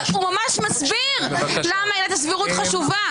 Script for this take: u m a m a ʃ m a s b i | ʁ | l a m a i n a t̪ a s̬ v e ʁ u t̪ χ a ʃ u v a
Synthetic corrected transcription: u m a m a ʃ m a s b i | ʁ | l a m a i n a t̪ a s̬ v i ʁ u t̪ χ a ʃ u v a